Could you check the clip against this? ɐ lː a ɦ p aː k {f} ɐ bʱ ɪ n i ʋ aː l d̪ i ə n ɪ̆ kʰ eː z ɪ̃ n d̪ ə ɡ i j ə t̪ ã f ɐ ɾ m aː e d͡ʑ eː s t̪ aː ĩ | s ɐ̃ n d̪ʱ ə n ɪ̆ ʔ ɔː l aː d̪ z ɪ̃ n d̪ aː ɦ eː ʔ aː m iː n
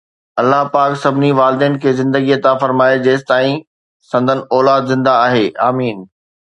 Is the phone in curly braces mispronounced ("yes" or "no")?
yes